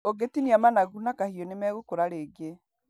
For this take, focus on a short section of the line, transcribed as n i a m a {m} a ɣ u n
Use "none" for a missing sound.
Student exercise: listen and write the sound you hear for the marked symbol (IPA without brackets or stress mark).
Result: n